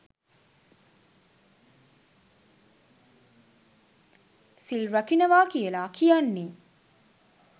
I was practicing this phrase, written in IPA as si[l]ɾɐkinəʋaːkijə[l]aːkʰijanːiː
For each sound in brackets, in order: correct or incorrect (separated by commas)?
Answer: correct, correct